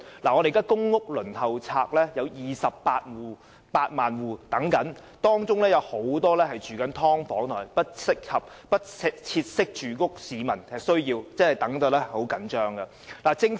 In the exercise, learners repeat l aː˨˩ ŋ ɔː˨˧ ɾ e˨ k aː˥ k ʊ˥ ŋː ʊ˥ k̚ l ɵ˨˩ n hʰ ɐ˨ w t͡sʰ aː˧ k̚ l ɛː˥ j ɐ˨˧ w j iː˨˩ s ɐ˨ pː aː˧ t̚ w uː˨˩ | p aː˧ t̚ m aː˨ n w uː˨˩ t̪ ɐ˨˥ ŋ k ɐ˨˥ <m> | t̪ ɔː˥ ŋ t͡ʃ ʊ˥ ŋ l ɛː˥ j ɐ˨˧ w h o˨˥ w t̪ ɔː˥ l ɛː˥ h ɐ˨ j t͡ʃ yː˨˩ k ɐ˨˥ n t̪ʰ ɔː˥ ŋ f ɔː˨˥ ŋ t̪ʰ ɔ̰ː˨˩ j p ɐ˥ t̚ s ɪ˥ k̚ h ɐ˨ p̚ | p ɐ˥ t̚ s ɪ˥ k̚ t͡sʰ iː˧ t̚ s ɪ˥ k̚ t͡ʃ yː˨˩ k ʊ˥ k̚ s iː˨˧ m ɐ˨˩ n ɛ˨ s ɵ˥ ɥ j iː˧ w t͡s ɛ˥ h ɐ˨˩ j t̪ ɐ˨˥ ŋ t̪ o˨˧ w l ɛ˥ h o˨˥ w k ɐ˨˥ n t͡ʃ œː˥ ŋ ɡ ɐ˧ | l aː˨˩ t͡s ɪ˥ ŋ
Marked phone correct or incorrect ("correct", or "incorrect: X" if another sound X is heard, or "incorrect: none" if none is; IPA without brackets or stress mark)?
incorrect: n